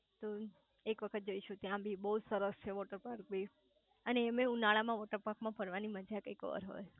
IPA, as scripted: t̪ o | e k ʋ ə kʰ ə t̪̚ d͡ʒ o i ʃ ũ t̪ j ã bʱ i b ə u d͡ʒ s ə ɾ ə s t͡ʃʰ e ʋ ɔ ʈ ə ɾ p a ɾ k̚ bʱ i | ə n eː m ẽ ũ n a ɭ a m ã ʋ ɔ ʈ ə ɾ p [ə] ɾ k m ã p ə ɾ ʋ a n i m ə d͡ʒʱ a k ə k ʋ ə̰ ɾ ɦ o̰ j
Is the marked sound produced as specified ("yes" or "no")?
no